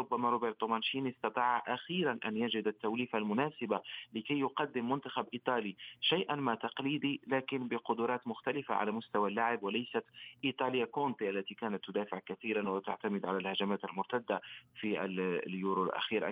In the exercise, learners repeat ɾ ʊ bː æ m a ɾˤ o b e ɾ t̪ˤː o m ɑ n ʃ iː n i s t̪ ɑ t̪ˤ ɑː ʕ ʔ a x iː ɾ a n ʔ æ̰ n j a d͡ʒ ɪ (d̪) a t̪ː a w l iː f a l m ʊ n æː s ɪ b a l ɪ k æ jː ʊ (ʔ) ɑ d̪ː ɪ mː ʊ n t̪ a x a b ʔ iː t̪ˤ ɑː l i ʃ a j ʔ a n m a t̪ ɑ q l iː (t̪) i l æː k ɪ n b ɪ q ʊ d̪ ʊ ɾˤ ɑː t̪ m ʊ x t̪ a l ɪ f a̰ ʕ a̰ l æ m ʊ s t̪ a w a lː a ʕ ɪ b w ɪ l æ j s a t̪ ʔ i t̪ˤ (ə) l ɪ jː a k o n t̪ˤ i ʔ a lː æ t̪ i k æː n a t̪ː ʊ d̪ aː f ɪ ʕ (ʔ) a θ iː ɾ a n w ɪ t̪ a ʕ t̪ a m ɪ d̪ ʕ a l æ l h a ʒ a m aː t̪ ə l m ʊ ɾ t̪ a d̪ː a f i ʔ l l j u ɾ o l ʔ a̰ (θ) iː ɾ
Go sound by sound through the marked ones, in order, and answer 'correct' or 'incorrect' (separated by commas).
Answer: correct, incorrect, incorrect, incorrect, incorrect, incorrect